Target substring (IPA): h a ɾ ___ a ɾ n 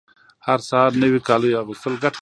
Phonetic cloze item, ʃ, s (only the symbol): s